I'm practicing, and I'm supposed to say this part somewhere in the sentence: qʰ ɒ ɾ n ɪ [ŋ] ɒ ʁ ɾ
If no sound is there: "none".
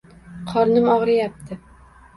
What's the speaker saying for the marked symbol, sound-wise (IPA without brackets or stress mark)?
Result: m